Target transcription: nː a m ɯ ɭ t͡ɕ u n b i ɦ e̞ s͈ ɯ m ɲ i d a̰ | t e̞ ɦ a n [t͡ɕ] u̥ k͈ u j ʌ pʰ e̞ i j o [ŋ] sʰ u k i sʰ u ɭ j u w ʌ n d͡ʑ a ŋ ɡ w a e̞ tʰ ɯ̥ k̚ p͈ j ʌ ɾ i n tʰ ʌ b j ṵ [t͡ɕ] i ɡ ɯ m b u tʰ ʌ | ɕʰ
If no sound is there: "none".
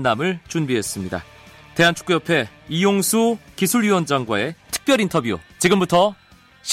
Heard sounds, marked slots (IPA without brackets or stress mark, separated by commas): t͡ɕʰ, ŋ, t͡ɕ